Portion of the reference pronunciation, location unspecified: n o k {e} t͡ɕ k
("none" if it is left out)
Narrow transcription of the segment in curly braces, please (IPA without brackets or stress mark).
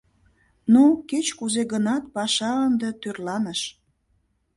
e